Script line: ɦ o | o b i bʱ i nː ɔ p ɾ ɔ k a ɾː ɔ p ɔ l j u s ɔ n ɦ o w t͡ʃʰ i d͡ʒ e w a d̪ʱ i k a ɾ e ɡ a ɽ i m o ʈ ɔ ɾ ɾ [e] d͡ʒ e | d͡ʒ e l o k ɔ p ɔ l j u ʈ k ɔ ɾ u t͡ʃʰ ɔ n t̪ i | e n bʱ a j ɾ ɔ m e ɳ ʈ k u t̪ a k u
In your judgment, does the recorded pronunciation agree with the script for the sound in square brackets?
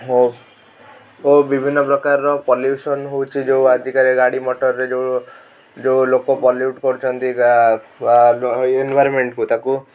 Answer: yes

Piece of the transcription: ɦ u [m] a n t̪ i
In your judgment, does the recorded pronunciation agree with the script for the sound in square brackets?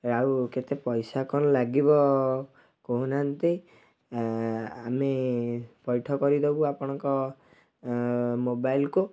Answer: no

